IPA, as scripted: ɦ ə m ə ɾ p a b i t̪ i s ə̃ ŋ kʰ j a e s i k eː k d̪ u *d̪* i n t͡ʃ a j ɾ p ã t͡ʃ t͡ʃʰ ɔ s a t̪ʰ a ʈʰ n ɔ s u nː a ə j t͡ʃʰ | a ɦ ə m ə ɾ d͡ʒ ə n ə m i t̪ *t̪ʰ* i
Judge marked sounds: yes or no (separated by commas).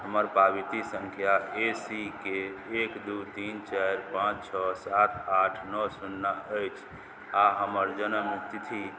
no, yes